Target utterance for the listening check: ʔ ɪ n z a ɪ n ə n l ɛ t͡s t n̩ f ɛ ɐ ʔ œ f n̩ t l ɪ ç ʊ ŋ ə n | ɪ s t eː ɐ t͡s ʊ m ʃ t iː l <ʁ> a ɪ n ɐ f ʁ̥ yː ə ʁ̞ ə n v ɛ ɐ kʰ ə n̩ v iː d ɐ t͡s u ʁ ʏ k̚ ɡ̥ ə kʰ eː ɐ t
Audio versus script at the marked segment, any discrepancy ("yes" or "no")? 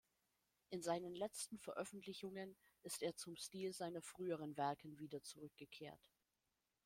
yes